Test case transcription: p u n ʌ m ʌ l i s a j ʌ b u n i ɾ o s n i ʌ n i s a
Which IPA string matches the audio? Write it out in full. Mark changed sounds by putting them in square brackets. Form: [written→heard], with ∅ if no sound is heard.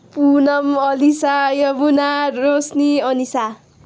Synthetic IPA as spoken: p u n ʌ m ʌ l i s a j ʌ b u n [i→a] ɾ o s n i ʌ n i s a

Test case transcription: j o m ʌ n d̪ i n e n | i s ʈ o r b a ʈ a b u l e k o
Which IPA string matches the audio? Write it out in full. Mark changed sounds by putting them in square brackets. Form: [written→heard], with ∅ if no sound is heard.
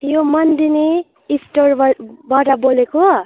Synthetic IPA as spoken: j o m ʌ n d̪ i n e [n→∅] | i s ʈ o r b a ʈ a b [u→o] l e k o

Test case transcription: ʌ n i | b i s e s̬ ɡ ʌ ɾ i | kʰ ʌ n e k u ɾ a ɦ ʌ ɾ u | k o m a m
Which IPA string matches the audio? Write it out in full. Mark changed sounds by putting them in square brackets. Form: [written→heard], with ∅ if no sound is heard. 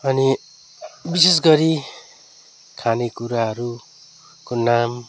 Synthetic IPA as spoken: ʌ n i | b i s e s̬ ɡ ʌ ɾ i | kʰ [ʌ→a] n e k u ɾ a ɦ ʌ ɾ u | k o [m→n] a m

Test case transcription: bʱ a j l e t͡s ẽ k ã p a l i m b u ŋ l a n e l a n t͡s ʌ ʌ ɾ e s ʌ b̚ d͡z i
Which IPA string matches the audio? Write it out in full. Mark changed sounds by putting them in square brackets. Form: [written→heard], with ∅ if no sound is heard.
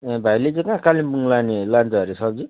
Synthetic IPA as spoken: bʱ a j l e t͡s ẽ k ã [p→k] a l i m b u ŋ l a n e l a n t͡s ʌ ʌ ɾ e s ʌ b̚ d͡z i

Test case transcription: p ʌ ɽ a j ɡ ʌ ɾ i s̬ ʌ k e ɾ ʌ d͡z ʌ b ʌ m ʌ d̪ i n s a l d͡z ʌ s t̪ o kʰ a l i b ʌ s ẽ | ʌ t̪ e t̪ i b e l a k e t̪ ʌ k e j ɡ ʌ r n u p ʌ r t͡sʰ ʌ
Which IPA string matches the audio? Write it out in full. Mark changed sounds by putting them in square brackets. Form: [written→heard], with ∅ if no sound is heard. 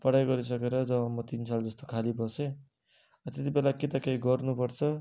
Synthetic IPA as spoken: p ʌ ɽ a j ɡ ʌ ɾ i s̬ ʌ k e ɾ ʌ d͡z ʌ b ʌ m ʌ [d̪→t̪] i n s a l d͡z ʌ s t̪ o kʰ a l i b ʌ s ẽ | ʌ t̪ e t̪ i b e l a k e t̪ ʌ k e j ɡ ʌ r n u p ʌ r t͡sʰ ʌ

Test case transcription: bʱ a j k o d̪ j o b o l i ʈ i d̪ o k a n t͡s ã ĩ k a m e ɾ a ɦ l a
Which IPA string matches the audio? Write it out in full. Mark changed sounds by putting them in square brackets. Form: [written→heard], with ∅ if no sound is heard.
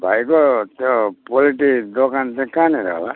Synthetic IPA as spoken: bʱ a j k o [d̪→t̪] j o [b→p] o l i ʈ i d̪ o k a n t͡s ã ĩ k a [m→n] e ɾ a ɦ l a

